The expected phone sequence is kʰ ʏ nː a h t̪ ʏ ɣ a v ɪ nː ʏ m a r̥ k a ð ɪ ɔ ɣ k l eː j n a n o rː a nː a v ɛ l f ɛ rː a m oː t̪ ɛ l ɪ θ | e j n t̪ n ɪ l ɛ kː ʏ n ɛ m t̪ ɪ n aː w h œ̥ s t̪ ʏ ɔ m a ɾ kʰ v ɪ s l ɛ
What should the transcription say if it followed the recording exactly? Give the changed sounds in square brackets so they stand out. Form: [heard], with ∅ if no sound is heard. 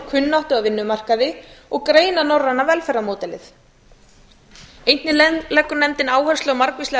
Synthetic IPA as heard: kʰ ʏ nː a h t̪ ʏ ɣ a v ɪ nː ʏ m a r̥ k a ð ɪ ɔ ɣ k [ɾ] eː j n a n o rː a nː a v ɛ l f ɛ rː a m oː t̪ ɛ l ɪ θ | e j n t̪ n ɪ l ɛ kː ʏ n ɛ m t̪ ɪ n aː w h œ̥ s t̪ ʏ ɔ m a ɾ [k] v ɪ s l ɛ